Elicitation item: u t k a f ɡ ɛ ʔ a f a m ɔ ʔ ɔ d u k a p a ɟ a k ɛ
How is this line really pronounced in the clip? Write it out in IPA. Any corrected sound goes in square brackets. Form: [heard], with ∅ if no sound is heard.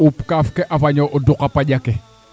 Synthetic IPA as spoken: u [p] k a f [k] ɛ ʔ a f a [ɲ] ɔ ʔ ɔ d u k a p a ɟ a k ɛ